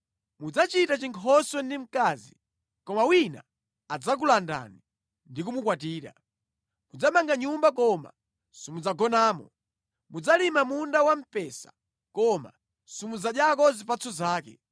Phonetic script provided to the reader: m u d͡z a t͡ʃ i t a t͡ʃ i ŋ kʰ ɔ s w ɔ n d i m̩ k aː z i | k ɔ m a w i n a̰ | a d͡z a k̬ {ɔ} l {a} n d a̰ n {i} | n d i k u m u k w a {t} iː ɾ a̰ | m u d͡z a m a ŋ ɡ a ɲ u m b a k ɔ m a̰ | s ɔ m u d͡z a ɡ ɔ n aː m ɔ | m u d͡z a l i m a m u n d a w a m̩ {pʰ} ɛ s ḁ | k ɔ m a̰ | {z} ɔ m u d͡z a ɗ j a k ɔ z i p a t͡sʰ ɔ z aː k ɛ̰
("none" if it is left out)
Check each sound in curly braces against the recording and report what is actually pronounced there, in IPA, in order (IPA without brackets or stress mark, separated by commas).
u, a, i, t, p, s